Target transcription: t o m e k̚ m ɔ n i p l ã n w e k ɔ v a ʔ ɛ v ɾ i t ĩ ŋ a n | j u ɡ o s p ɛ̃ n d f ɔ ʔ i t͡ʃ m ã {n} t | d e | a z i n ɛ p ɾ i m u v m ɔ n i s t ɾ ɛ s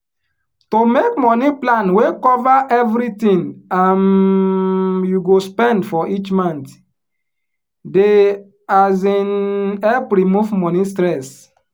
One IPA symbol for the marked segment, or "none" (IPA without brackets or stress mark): n